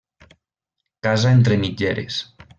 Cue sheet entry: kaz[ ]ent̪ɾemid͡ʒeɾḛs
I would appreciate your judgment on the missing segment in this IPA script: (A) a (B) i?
A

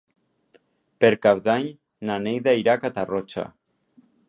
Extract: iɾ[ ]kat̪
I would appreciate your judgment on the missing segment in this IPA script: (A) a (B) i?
A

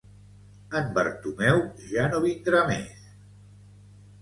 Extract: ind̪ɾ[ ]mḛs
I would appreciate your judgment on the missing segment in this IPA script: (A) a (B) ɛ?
A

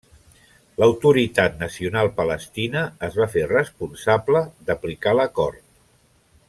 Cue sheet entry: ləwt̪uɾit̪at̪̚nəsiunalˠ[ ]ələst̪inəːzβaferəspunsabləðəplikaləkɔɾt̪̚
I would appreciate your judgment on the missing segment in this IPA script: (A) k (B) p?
B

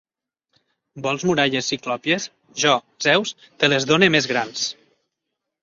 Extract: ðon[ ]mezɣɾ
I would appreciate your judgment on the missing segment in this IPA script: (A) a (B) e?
B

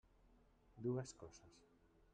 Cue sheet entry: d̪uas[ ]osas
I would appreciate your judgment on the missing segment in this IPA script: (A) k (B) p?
A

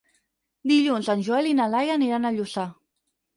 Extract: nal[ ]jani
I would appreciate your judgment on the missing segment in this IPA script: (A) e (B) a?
B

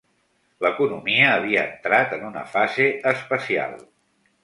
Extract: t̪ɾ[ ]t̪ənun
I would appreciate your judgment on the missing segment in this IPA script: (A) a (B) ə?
A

